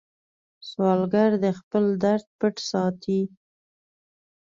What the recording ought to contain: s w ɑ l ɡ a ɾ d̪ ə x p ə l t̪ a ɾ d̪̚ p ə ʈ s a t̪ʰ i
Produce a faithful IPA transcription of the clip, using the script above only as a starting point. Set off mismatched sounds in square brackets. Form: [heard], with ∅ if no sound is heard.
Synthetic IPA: s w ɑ l ɡ a ɾ d̪ ə x p ə l [d̪] a ɾ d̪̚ p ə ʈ s [ɑ] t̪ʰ i

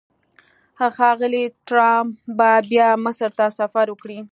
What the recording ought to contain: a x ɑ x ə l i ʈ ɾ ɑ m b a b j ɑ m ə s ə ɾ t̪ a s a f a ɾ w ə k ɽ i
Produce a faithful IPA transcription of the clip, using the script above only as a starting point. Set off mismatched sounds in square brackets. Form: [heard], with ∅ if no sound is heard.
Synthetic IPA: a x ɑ [ɣ] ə l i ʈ ɾ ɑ m b a b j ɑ m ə s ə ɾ t̪ a s a f a ɾ w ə k ɽ i

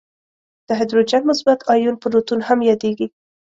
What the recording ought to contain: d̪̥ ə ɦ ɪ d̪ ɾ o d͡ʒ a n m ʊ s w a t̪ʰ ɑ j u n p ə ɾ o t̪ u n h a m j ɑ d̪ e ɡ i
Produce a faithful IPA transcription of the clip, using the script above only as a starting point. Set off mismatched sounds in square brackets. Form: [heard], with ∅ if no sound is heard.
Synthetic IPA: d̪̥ ə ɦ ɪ d̪ ɾ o d͡ʒ a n m ʊ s [b] a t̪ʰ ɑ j u n p ə ɾ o t̪ u n h a m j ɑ d̪ e ɡ i

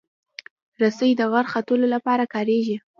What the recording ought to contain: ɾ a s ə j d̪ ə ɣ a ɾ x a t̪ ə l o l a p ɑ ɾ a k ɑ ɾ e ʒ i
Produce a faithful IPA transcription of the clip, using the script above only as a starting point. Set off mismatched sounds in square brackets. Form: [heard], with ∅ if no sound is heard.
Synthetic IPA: ɾ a s ə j d̪ ə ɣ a ɾ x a t̪ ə l o l a p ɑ ɾ a k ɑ ɾ e ʒ i

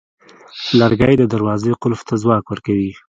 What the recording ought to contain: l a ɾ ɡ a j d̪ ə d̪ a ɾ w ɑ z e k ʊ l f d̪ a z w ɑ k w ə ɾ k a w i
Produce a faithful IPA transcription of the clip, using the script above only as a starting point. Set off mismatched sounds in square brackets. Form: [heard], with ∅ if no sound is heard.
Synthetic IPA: l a ɾ ɡ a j d̪ ə d̪ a ɾ w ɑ z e [q] ʊ l f [t̪] a z w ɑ k w ə ɾ k a w i

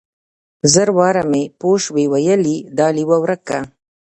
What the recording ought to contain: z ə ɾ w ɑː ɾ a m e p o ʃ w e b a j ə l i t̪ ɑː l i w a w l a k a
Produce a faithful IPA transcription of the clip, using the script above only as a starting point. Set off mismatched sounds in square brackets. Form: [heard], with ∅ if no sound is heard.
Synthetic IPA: z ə ɾ w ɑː ɾ a m e p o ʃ w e [w] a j ə l i [d̪] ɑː l i w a w [ɾ] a k a

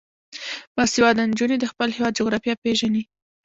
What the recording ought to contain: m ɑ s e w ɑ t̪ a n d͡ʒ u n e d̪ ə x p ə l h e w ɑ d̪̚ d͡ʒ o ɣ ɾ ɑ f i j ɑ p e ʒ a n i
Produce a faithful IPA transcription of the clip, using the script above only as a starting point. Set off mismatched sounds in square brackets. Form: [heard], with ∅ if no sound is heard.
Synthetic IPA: m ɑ s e w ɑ [d̪] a n d͡ʒ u n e d̪ ə x p ə l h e w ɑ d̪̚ d͡ʒ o ɣ ɾ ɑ f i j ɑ p e ʒ a n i

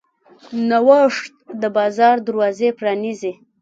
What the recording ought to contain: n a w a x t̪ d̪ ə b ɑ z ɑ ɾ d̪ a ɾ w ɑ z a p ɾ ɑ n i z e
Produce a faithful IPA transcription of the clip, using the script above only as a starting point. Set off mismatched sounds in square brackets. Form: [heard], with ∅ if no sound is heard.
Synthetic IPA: n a w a [ʂ] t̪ d̪ ə b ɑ z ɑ ɾ d̪ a ɾ w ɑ z [e] p ɾ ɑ n i z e

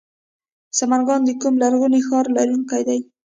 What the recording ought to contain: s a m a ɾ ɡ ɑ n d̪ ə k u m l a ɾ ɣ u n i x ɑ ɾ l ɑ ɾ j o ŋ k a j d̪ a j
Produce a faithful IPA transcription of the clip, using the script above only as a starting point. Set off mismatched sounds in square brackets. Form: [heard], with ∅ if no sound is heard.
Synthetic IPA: s a m a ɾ ɡ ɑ n d̪ ə k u m l a ɾ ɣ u n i x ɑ ɾ l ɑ ɾ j [u] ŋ k a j d̪ a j

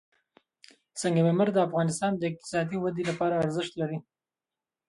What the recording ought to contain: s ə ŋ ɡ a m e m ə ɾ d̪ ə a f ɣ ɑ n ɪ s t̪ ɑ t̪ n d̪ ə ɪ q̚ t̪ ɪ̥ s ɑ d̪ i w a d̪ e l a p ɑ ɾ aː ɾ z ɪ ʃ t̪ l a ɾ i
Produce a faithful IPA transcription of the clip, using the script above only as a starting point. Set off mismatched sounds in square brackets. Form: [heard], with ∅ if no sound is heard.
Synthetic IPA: s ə ŋ ɡ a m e m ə ɾ d̪ ə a f ɣ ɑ n ɪ s t̪ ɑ [∅] n d̪ ə ɪ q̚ t̪ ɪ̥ s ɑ d̪ i w a d̪ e l a p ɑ ɾ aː ɾ z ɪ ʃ t̪ l a ɾ i

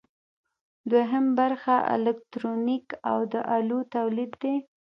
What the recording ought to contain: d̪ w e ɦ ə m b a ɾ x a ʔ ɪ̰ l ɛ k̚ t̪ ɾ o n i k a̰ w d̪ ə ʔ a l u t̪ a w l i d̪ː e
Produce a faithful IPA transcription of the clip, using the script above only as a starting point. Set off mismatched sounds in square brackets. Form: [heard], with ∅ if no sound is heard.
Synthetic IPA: d̪ w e ɦ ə m b a ɾ x a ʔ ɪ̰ l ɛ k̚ t̪ ɾ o n i k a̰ w d̪ ə ʔ a l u t̪ a w l i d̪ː e

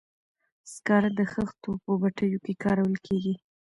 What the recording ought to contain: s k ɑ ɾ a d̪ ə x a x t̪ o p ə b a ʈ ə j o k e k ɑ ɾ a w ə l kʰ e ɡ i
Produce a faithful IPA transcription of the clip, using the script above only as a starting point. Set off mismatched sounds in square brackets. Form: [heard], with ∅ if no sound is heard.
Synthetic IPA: s k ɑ ɾ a d̪ ə x [ə] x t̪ o p ə b a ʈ ə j o k e k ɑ ɾ a w ə l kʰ e ɡ i

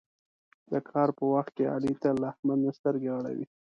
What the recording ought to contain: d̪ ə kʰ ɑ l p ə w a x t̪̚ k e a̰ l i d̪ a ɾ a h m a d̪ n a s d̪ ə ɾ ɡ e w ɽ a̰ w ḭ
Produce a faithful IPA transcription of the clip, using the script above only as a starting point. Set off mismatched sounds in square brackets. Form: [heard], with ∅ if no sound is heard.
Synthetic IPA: d̪ ə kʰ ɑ [ɾ] p ə w a x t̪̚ k e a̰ l i [t̪] a [l] a h m a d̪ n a s [t̪] ə ɾ ɡ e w ɽ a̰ w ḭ

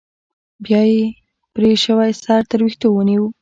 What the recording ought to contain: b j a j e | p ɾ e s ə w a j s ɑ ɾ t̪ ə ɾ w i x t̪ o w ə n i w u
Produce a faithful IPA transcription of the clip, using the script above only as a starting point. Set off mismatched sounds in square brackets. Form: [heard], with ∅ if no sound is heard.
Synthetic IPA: b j [ɑ] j e | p ɾ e [ʃ] ə w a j s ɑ ɾ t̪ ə ɾ w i x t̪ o w ə n i w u

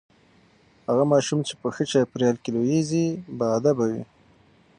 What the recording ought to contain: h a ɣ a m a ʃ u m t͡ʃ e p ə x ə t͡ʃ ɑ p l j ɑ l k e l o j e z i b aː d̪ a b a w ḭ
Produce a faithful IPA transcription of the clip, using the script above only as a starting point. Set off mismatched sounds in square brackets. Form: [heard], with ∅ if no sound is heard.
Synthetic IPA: h a ɣ a m [ɑ] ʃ u m t͡ʃ e p ə x ə t͡ʃ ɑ p [ɾ] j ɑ l k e l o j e z i b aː d̪ a b a w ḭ

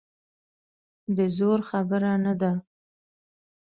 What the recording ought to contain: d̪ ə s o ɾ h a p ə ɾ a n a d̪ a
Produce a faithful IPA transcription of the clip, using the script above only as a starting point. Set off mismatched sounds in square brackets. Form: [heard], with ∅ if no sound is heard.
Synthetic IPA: d̪ ə [z] o ɾ [x] a [b] ə ɾ a n a d̪ a

